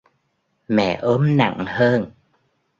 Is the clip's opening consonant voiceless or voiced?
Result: voiced